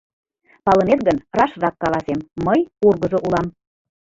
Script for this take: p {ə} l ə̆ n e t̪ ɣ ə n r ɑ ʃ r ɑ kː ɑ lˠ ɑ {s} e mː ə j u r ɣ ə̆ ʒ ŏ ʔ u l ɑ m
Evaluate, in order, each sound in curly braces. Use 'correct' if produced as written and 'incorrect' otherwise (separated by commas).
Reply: incorrect, correct